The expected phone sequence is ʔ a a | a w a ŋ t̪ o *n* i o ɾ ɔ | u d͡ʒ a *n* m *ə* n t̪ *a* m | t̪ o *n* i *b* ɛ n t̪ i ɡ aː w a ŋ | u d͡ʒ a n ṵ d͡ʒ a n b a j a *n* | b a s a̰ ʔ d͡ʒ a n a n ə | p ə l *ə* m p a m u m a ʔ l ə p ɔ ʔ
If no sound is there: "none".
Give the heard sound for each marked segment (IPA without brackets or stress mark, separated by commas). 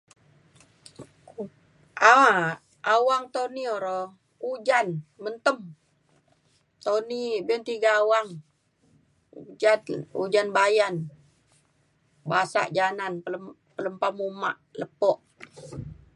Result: n, n, ə, ə, n, b, n, ə